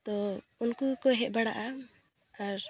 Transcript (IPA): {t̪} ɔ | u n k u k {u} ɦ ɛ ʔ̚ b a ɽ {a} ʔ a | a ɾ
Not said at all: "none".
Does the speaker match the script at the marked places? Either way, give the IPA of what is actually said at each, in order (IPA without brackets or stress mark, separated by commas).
t̪, ɔ, a